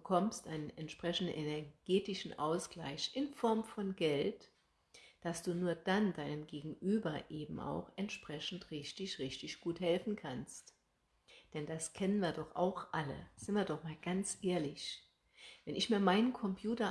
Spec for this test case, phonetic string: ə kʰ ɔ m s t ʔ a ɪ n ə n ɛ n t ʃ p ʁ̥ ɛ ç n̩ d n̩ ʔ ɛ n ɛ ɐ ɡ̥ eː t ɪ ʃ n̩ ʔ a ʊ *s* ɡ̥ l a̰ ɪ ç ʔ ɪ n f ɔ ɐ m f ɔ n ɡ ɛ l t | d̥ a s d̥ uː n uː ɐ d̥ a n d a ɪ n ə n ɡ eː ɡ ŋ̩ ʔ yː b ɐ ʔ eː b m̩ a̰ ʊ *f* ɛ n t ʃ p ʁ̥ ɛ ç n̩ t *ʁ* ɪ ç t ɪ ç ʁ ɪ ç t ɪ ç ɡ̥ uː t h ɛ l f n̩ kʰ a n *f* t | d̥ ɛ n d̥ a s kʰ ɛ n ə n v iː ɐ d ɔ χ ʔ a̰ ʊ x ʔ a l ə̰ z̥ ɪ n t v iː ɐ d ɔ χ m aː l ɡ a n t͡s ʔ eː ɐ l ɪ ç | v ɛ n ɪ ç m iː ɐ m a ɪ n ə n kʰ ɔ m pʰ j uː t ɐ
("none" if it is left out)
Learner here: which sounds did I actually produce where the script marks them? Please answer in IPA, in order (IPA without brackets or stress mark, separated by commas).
s, x, ʁ, s